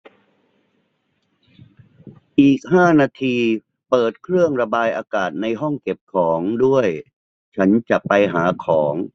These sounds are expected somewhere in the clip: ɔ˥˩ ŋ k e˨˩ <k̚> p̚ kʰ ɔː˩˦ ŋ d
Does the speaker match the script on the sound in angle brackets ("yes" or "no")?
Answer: no